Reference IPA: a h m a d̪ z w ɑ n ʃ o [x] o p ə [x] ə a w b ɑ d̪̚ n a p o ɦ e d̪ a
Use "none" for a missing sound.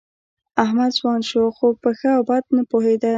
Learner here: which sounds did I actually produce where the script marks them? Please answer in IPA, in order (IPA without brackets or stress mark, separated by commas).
x, x